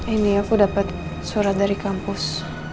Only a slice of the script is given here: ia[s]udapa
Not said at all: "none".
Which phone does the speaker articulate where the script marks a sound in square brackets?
f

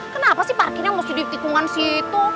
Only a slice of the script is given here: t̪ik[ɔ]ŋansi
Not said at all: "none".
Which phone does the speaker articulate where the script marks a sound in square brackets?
u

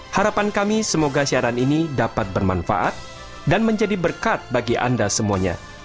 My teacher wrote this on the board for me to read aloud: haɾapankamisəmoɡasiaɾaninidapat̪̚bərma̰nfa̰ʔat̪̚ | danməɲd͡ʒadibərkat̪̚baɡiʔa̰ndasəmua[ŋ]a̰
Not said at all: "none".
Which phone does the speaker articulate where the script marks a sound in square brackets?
ɲ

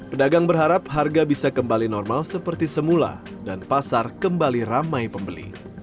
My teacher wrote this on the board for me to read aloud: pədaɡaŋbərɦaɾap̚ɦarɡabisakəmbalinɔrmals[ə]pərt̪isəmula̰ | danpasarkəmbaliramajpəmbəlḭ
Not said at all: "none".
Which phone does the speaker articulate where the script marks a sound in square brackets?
ə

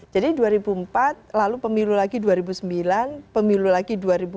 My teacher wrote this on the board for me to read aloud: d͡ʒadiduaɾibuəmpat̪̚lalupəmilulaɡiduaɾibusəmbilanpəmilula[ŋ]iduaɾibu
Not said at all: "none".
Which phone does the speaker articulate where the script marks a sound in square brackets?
ɡ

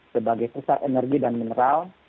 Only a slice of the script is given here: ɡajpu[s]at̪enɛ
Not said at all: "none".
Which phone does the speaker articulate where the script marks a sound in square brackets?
s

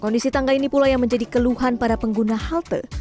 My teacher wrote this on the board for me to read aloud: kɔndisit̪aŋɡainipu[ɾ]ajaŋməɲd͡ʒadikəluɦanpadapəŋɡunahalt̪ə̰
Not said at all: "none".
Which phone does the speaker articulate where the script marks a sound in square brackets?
l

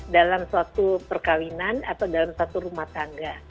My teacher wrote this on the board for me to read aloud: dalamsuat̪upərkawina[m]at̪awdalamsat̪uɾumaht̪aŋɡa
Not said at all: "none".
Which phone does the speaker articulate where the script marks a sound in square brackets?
n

